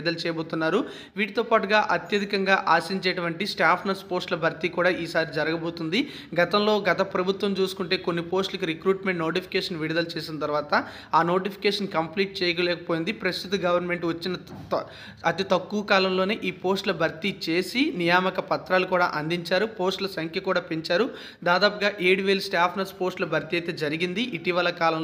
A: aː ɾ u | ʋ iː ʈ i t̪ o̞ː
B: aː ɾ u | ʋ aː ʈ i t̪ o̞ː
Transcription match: A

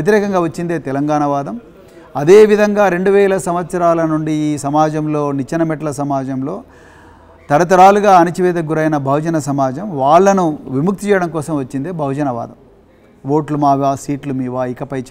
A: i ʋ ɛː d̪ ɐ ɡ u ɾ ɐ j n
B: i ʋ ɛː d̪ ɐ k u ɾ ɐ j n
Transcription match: A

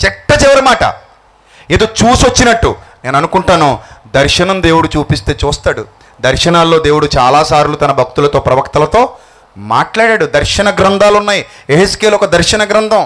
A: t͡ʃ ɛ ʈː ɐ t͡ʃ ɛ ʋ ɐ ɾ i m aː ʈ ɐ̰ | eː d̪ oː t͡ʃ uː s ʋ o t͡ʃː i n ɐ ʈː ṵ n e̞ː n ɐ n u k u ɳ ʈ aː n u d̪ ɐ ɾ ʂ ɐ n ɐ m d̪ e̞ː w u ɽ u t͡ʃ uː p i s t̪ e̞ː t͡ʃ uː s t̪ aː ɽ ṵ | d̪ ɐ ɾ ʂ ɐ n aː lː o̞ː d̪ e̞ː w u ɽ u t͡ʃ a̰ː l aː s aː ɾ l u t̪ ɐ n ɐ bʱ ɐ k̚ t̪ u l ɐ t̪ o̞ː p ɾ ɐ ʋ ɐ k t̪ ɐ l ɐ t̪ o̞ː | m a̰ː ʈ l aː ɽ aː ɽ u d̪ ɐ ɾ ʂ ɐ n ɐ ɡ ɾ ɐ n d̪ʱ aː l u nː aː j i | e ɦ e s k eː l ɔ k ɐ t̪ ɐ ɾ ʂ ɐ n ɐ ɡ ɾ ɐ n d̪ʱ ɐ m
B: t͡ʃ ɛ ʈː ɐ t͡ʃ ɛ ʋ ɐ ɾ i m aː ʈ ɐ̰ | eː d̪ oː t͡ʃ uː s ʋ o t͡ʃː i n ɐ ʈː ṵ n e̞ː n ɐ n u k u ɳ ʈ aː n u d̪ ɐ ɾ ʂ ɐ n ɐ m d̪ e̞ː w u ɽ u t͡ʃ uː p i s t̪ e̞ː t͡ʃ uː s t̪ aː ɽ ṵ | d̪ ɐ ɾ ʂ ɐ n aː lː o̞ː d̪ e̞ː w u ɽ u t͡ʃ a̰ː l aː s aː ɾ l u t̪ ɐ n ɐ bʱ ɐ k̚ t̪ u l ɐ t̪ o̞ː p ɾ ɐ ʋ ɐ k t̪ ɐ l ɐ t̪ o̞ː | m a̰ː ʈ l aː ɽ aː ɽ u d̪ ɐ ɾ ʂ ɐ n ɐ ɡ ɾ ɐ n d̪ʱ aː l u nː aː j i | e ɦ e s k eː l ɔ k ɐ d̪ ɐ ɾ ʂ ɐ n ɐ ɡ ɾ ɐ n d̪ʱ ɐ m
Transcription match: B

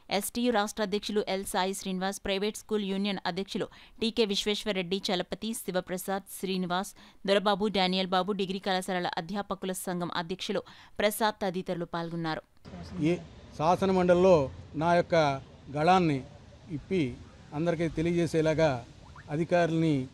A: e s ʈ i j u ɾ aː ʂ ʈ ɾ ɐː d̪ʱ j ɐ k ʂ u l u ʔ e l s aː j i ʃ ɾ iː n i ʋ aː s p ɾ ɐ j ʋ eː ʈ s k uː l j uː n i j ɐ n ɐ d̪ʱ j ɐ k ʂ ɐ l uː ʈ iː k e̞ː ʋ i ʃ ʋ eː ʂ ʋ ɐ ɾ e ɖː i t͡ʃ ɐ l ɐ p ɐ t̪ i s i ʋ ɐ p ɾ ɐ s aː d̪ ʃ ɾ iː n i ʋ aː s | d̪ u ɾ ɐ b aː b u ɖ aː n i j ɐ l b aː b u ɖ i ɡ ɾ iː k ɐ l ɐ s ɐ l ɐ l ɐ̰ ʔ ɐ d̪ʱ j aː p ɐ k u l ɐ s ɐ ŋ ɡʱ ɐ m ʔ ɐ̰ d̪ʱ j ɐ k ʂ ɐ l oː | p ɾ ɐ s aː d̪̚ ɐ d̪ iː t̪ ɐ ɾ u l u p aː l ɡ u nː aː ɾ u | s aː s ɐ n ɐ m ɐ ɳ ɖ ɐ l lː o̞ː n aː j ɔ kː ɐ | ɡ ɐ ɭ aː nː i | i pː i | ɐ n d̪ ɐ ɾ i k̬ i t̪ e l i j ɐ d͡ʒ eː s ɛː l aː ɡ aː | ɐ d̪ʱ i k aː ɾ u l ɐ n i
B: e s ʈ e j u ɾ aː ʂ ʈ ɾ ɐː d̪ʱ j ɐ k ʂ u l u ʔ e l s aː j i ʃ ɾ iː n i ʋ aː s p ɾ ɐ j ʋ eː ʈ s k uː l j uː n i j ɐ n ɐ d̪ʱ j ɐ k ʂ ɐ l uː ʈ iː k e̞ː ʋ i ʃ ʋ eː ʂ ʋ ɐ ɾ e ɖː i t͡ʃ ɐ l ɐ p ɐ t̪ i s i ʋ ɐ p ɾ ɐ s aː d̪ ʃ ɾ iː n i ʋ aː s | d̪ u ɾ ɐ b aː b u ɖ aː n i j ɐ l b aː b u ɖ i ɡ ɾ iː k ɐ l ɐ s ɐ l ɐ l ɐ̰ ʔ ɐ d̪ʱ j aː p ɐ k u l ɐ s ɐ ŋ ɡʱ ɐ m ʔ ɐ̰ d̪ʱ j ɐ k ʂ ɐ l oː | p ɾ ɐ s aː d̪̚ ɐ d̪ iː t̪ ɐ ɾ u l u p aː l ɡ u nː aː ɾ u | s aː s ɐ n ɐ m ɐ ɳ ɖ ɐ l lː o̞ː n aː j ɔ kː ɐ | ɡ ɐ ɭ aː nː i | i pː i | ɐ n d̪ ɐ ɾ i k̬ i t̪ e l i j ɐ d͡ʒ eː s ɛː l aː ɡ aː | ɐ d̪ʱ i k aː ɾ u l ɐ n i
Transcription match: A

